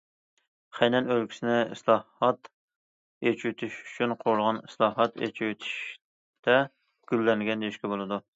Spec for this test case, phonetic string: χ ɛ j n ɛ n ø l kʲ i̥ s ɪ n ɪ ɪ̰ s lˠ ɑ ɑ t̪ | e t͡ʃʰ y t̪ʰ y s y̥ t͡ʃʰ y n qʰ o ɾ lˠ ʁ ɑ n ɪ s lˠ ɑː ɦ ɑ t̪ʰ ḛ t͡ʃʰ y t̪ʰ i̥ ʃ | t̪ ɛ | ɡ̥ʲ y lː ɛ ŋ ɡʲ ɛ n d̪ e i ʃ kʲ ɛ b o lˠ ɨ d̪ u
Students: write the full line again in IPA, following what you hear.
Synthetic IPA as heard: χ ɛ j n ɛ n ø l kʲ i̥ s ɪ n ɪ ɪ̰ s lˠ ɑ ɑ t̪ | e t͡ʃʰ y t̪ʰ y ʃ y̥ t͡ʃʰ y n qʰ o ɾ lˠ ʁ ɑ n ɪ s lˠ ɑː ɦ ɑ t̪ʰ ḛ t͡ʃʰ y t̪ʰ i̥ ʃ | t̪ ɛ | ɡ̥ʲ y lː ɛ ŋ ɡʲ ɛ n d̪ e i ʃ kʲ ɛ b o lˠ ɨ d̪ u

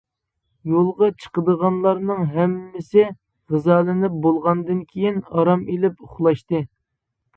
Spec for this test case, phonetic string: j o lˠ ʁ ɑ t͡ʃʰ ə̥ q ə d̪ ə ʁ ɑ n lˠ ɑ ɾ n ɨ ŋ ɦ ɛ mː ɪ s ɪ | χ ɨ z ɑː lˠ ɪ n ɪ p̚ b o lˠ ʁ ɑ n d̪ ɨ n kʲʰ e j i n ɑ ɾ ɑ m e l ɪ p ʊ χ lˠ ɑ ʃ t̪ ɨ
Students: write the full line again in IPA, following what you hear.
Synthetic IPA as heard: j o lˠ ʁ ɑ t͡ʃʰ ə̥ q ə d̪ ə ʁ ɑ n lˠ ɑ ɾ n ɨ ŋ ɦ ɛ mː ɪ s ɪ | ʁ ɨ z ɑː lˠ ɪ n ɪ p̚ b o lˠ ʁ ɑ n d̪ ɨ n kʲʰ e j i n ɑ ɾ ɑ m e l ɪ p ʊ χ lˠ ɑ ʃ t̪ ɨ

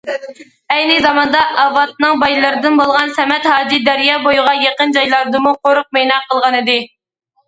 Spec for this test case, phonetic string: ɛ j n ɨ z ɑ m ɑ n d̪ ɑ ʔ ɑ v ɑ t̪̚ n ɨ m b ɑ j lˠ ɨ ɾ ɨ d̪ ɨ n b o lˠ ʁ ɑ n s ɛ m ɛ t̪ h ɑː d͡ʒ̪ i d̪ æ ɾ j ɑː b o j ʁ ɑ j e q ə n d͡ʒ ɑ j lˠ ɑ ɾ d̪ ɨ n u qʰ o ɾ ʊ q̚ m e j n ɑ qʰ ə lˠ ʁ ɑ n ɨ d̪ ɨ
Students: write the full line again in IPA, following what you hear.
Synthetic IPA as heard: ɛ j n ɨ z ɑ m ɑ n d̪ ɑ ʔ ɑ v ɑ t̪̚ n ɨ ŋ b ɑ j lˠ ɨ ɾ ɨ d̪ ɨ n b o lˠ ʁ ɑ n s ɛ m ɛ t̪ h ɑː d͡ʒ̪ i d̪ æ ɾ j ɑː b o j ʁ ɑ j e q ə n d͡ʒ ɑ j lˠ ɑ ɾ d̪ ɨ m u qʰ o ɾ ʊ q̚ m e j n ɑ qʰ ə lˠ ʁ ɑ n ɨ d̪ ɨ

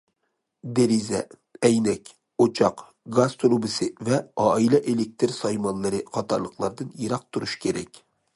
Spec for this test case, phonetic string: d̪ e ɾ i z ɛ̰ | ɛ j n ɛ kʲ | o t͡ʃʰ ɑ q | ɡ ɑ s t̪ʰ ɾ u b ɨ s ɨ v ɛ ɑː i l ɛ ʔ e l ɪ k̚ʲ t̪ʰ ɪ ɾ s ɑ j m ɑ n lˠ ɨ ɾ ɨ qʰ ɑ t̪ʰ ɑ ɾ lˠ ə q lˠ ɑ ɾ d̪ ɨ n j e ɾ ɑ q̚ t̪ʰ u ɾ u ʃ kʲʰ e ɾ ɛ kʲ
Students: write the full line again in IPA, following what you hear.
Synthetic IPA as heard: d̪ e ɾ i z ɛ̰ | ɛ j n ɛ kʲ | o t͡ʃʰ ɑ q | ɡ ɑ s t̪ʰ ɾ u b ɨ s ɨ v ɛ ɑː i l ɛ ʔ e l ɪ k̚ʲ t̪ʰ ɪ ɾ s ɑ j m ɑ n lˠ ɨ ɾ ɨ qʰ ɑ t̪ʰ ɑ ɾ lˠ ə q lˠ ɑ ɾ d̪ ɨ n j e ɾ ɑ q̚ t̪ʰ u ɾ u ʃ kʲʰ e ɾ ɛ kʲ

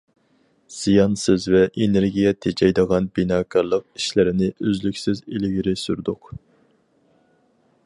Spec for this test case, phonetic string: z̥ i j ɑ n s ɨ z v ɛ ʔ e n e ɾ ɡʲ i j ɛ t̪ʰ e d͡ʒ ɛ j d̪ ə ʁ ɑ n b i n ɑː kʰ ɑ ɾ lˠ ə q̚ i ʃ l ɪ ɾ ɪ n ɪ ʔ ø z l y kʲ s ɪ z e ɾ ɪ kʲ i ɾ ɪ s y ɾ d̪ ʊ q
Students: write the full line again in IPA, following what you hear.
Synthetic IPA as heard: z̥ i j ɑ n s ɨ z v ɛ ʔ e n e ɾ ɡʲ i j ɛ t̪ʰ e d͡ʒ ɛ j d̪ ə ʁ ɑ n b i n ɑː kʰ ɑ ɾ lˠ ə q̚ i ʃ l ɪ ɾ ɪ n ɪ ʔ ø z l y kʲ s ɪ z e l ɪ ɡʲ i ɾ ɪ s y ɾ d̪ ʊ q

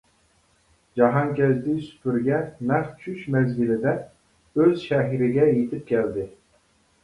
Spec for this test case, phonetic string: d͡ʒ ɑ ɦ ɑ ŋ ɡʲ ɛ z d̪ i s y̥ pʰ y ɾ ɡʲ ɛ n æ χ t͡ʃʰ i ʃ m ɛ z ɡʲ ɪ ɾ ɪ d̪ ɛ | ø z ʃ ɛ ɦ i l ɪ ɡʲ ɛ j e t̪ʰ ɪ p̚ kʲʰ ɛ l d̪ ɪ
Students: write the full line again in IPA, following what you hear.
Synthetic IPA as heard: d͡ʒ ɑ ɦ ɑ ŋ kʲ ɛ z d̪ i s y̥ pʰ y ɾ ɡʲ ɛ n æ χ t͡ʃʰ y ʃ m ɛ z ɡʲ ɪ l ɪ d̪ ɛ | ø z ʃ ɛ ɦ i ɾ ɪ ɡʲ ɛ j e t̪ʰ ɪ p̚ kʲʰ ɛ l d̪ ɪ

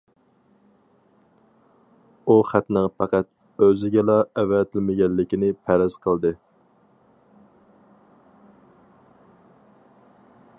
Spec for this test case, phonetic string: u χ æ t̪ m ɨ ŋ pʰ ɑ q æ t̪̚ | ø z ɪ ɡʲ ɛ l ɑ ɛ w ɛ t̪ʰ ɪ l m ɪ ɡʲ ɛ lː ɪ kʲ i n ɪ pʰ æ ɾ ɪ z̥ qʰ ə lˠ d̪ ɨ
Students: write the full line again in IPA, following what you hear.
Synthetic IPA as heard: u χ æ t̪ n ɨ ŋ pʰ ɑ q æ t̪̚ | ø z ɪ ɡʲ ɛ l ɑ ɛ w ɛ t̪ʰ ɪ l m ɪ ɡʲ ɛ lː ɪ kʲ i n ɪ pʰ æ ɾ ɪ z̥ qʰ ə lˠ d̪ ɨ

